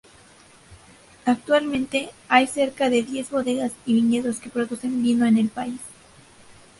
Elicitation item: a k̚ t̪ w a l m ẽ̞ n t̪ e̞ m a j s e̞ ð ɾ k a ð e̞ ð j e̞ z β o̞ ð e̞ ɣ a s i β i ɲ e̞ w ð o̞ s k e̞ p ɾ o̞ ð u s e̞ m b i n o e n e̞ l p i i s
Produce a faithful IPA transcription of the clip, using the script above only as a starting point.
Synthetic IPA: a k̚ t̪ w a l m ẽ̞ n t̪ e̞ a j s e̞ ɾ k a ð e̞ ð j e̞ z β o̞ ð e̞ ɣ a s i β i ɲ e̞ ð o̞ s k e̞ p ɾ o̞ ð u s e̞ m b i n o e n e̞ l p a i s